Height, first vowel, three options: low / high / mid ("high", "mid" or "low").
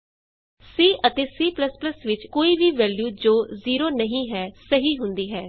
high